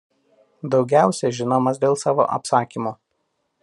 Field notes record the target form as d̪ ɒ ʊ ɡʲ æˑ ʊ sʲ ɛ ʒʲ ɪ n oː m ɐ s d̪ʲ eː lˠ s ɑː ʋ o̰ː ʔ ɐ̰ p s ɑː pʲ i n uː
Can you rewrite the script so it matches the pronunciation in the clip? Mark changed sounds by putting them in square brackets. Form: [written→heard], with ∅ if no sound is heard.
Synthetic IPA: d̪ ɒ ʊ ɡʲ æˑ ʊ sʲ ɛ ʒʲ ɪ n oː m ɐ s d̪ʲ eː lˠ s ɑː ʋ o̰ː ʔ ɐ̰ p s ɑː [pʲ→kʲ] i [n→m] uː